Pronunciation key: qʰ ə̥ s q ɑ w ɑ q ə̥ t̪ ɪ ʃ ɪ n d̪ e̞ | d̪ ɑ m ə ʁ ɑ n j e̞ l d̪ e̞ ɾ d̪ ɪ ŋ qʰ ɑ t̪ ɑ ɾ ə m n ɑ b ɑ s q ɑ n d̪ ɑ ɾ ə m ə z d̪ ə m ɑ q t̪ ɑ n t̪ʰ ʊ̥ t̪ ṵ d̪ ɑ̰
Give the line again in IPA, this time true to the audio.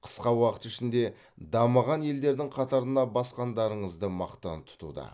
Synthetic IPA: qʰ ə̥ s q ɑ w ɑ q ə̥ t̪ ɪ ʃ ɪ n d̪ e̞ | d̪ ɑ m ə ʁ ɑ n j e̞ l d̪ e̞ ɾ d̪ ɪ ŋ qʰ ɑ t̪ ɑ ɾ ə n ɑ b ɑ s q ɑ n d̪ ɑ ɾ ə ɴ ə z d̪ ə m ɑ q t̪ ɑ n t̪ʰ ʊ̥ t̪ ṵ d̪ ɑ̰

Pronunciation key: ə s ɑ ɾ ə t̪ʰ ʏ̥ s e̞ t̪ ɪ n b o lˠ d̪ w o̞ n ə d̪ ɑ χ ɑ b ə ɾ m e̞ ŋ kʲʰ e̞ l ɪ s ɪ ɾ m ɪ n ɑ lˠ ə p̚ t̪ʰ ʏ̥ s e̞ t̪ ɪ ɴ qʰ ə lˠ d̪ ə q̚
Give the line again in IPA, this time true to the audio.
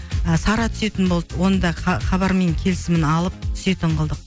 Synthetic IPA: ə s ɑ ɾ ɑ t̪ʰ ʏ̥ s e̞ t̪ ɪ n b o lˠ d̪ w o̞ n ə d̪ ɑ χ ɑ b ɑ ɾ m e̞ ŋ kʲʰ e̞ l ɪ s ɪ m ɪ n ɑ lˠ ə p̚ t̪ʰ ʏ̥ s e̞ t̪ ɪ ɴ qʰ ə lˠ d̪ ə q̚

